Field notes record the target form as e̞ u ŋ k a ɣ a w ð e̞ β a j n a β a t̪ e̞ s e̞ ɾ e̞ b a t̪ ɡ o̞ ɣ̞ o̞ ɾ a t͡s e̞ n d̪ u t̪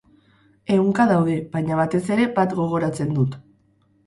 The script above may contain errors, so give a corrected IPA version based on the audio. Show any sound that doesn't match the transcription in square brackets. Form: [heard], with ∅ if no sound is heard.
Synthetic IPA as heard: e̞ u ŋ k a [ð] a w ð e̞ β a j [ɲ] a β a t̪ e̞ s e̞ ɾ e̞ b a t̪ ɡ o̞ ɣ̞ o̞ ɾ a t͡s e̞ n d̪ u t̪